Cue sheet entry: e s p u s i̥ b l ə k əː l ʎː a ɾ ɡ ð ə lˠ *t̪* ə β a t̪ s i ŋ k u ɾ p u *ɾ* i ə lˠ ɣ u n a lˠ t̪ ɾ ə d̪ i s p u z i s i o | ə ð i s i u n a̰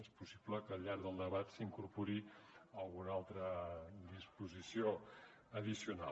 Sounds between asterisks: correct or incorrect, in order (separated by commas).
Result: incorrect, correct